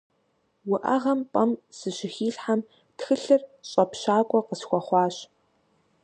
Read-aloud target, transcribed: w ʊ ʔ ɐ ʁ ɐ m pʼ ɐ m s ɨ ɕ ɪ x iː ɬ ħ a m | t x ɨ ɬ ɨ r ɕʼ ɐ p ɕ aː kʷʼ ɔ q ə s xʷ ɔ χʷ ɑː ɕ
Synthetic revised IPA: w ʊ ʔ ɐ ʁ ɐ m pʼ ɐ m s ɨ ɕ ɪ x iː ɬ ħ a m | t x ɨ ɬ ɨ r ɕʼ ɐ p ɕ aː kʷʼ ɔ q ə s xʷ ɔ χʷ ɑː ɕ